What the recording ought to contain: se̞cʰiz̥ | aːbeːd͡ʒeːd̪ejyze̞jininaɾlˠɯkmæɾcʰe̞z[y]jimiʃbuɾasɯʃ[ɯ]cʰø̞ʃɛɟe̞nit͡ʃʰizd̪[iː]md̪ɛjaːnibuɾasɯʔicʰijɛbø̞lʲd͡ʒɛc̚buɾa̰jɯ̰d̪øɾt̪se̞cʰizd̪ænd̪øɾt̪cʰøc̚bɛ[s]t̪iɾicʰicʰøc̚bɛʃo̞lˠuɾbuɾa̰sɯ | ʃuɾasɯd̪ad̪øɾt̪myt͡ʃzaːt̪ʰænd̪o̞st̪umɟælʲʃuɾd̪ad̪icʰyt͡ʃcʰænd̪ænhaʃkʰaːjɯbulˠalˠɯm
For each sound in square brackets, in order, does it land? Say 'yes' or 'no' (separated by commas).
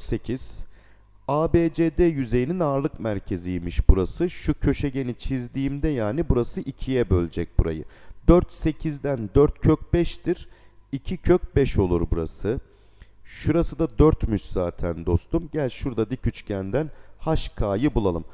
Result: no, no, yes, no